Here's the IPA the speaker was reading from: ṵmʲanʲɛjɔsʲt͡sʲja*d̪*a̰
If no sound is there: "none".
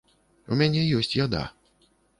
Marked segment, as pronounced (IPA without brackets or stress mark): d̪